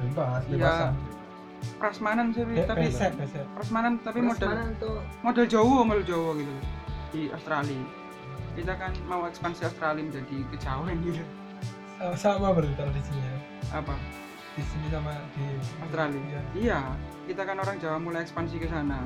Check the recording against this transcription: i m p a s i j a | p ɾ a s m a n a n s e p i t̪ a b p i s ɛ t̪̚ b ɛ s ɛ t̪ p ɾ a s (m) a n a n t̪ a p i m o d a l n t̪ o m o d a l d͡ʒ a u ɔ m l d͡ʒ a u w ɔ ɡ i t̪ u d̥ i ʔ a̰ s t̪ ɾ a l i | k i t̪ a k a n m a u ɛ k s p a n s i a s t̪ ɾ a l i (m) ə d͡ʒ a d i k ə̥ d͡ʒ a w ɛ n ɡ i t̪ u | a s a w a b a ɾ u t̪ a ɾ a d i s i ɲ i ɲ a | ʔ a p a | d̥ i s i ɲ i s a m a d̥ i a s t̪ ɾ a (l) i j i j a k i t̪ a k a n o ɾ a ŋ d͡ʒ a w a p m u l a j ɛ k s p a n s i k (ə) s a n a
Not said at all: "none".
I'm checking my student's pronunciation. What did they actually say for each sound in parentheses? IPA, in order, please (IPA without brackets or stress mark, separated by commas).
m, m, l, ə